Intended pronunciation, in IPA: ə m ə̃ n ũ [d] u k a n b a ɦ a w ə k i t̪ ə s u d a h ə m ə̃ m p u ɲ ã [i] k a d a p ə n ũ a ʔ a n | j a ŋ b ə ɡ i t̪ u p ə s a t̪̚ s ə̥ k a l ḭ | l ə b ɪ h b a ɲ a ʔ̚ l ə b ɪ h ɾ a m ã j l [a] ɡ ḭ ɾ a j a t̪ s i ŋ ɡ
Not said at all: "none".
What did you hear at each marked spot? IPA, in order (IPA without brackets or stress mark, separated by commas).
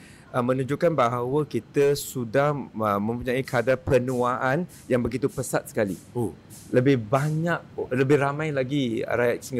d͡ʒ, i, a